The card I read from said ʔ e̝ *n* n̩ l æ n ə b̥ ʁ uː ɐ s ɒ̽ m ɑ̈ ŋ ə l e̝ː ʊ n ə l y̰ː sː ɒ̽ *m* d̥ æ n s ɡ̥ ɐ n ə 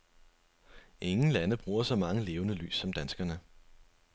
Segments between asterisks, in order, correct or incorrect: incorrect: ŋ, correct

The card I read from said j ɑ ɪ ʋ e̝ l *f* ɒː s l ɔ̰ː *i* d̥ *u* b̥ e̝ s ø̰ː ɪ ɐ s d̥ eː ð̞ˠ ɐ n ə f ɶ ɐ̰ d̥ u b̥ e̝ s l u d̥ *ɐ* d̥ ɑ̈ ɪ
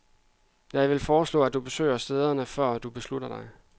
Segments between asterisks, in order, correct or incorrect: correct, incorrect: æ, correct, correct

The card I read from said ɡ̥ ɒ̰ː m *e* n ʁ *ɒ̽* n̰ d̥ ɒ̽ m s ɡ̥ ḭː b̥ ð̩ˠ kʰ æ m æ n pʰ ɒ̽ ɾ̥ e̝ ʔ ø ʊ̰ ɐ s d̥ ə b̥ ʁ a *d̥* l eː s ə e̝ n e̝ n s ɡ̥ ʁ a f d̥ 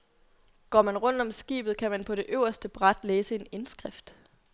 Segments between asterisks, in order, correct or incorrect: incorrect: æ, incorrect: ɔ̽, correct

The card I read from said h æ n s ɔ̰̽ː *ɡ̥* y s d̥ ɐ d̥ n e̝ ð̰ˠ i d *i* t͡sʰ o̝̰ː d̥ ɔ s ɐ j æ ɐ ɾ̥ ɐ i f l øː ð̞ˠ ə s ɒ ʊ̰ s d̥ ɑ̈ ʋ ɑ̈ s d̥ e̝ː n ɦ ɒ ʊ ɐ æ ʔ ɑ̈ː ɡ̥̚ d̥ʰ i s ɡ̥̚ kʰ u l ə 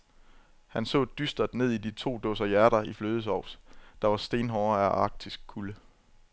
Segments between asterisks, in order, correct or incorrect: incorrect: d̥, correct

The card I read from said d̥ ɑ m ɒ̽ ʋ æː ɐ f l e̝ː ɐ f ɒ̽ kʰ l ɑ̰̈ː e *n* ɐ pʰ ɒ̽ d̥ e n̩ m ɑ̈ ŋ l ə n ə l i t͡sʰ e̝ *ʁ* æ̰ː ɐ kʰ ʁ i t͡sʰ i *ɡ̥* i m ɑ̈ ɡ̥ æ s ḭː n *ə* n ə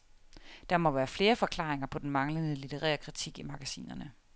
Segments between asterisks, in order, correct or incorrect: incorrect: ŋ, correct, correct, incorrect: ɐ

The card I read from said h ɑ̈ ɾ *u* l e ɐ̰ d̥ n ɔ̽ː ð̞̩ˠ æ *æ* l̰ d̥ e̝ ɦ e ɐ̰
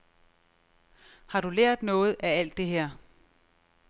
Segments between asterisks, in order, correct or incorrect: correct, correct

